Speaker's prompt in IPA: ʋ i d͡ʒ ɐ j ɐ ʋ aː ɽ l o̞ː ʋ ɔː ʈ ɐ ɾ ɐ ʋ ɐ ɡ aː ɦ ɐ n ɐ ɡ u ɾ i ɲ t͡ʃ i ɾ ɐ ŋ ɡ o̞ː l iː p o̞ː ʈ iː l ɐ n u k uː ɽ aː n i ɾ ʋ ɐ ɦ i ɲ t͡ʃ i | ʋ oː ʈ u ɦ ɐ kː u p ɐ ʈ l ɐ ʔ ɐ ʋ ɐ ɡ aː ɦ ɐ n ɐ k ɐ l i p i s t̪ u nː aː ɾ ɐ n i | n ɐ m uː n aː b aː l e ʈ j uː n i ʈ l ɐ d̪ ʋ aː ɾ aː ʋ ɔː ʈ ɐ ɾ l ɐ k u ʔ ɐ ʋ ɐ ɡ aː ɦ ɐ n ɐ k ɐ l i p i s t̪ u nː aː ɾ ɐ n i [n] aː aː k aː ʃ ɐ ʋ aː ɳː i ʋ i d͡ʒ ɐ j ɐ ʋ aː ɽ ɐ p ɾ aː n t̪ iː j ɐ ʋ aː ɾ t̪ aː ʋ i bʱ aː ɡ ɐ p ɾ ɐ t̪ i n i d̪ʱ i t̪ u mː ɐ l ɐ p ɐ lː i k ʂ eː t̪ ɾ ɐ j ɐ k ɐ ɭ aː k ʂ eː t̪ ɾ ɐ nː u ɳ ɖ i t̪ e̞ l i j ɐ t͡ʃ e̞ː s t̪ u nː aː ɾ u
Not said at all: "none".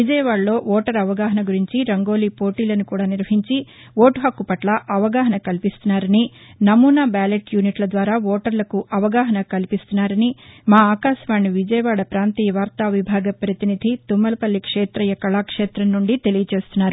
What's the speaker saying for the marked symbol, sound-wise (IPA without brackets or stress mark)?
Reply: m